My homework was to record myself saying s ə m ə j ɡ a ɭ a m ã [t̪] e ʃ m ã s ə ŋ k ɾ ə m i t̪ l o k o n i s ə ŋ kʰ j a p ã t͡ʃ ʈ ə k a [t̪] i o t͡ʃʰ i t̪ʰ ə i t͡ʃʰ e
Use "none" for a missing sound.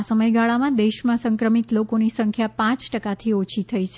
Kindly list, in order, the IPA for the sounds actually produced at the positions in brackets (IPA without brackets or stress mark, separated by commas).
d̪, t̪ʰ